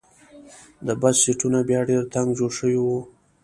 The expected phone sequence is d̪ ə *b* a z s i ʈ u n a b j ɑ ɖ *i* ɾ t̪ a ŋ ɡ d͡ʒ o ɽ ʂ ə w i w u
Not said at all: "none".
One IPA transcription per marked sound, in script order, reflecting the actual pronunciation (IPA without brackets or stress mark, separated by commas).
b, e